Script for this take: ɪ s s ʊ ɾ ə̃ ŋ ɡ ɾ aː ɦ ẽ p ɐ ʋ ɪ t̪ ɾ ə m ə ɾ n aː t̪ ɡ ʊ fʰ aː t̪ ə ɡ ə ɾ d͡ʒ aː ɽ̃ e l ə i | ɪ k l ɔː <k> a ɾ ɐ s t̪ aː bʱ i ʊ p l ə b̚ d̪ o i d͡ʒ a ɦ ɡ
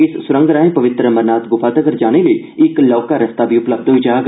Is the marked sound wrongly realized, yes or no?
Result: no